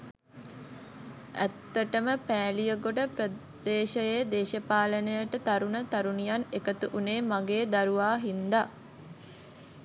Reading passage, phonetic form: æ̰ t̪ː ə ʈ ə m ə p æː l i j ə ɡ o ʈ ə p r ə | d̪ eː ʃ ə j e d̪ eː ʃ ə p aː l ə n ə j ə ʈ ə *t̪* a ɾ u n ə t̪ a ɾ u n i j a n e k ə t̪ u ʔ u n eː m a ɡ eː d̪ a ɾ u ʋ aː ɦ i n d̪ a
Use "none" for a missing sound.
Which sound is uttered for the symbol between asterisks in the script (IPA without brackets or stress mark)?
t̪